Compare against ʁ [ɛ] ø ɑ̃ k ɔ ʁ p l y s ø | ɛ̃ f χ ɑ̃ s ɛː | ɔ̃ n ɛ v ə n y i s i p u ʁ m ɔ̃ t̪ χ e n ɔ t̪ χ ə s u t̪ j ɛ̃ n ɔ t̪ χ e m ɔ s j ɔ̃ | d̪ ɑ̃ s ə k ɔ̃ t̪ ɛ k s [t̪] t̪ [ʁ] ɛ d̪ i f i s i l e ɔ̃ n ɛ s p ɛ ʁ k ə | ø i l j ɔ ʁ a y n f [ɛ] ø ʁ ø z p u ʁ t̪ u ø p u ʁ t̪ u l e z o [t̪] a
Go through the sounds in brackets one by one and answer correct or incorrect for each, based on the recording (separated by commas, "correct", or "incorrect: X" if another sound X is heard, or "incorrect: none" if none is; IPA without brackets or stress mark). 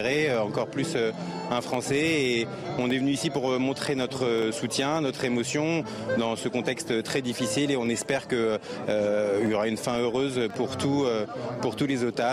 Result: incorrect: e, correct, incorrect: χ, incorrect: ɛ̃, correct